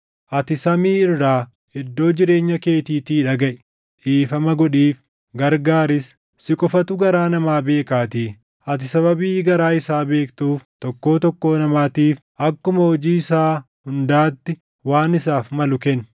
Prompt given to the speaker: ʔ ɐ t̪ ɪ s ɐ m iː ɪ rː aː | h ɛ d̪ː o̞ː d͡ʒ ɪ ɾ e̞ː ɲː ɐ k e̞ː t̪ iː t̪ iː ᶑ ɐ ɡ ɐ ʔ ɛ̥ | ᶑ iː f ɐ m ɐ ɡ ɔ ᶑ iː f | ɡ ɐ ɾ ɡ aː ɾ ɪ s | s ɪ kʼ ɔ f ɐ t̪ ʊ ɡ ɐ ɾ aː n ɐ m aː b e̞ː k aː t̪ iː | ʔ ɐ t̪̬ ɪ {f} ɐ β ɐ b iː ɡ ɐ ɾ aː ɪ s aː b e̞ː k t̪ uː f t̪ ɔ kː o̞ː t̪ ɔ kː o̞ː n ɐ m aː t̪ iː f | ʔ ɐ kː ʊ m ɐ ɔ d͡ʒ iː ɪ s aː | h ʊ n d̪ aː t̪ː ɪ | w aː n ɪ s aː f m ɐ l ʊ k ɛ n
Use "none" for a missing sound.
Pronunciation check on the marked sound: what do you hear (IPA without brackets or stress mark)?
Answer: s